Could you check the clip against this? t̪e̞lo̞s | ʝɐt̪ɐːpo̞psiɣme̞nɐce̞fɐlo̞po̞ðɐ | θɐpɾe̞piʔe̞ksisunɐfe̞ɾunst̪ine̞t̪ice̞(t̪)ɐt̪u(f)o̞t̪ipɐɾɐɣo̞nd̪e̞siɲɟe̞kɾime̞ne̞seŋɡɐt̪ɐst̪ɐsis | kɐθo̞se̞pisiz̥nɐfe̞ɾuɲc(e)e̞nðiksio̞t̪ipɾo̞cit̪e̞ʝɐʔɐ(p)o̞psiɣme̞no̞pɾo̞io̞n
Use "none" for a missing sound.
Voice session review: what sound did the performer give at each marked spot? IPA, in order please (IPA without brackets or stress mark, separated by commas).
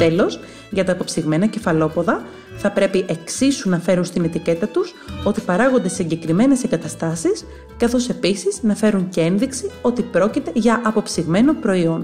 t̪, s, e, p